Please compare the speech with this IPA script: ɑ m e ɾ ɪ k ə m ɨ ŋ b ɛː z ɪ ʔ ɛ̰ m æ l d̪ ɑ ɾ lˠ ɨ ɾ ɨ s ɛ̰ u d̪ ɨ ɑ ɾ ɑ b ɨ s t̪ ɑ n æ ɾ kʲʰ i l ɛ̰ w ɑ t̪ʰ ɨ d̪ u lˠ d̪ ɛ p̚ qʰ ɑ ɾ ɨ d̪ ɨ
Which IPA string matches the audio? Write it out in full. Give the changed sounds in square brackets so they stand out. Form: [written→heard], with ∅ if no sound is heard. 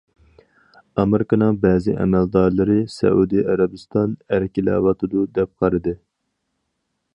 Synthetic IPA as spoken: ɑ m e ɾ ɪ k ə [m→n] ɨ ŋ b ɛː z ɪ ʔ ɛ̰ m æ l d̪ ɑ ɾ lˠ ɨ ɾ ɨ s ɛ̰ u d̪ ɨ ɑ ɾ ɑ b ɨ s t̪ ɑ n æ ɾ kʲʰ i l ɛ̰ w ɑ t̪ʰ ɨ d̪ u [lˠ→∅] d̪ ɛ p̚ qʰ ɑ ɾ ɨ d̪ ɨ